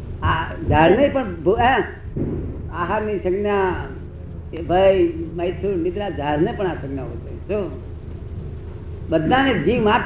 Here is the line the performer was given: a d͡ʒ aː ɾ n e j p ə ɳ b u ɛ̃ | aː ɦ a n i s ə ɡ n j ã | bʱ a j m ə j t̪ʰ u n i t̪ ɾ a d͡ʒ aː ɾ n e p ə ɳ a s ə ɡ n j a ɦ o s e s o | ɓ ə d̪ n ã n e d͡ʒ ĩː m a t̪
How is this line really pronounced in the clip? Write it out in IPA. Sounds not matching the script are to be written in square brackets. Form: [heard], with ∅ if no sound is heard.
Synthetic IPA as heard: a d͡ʒ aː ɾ n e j p ə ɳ b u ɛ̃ | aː ɦ a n i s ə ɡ n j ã | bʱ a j m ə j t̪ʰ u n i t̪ ɾ a d͡ʒ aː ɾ n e p ə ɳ a s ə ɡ n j a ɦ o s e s o | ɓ ə d̪ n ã n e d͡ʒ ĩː m a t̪